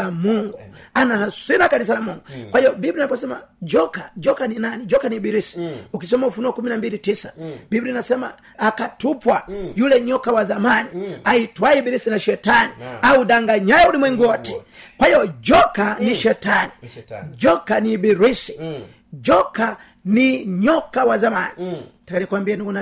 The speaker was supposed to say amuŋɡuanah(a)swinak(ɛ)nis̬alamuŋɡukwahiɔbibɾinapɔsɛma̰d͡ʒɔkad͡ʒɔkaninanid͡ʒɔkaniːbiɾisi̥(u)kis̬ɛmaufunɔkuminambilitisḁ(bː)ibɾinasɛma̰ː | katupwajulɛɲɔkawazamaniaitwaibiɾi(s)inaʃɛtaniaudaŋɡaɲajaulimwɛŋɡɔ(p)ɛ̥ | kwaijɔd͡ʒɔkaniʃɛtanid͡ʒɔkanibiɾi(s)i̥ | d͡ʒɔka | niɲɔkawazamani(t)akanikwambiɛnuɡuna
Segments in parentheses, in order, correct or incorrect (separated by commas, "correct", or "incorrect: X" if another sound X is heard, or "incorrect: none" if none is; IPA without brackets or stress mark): correct, incorrect: a, correct, incorrect: b, correct, incorrect: t, correct, correct